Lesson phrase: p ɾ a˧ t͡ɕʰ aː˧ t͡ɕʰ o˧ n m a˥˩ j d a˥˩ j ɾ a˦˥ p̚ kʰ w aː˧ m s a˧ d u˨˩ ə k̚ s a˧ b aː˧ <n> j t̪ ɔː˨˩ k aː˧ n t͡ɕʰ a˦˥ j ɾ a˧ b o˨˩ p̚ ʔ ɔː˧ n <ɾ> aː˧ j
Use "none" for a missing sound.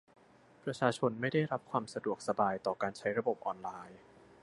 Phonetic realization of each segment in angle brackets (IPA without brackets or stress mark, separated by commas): none, l